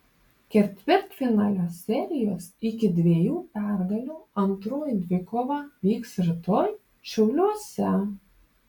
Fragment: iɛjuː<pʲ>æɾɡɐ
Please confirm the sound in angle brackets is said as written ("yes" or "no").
yes